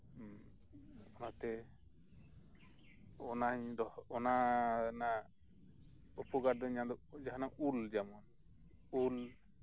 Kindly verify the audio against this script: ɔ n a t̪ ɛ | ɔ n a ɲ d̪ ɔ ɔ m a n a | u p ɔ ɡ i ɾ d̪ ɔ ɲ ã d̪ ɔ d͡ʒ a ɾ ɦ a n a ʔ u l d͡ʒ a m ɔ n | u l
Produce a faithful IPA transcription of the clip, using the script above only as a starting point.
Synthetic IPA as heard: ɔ n a t̪ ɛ | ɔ n a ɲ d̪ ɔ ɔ n a n a | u p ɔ ɡ a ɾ d̪ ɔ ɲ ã d̪ ɔ d͡ʒ a ɦ a n a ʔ u l d͡ʒ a m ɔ n | u l